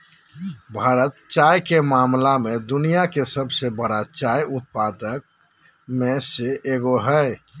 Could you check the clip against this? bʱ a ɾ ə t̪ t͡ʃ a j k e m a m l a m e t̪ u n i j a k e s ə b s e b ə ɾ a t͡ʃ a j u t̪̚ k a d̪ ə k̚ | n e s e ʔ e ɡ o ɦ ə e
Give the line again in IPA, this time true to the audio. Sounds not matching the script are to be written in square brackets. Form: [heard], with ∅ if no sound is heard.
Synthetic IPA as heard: bʱ a ɾ ə t̪ t͡ʃ a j k e m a m l a m e [d̪] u n i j a k e s ə b s e b ə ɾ a t͡ʃ a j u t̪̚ [p] a d̪ ə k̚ | [m] e s e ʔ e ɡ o ɦ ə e